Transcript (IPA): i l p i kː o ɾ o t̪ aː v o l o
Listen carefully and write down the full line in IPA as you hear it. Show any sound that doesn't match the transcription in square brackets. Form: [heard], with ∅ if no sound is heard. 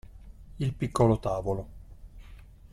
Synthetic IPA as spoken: i l p i kː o [l] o t̪ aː v o l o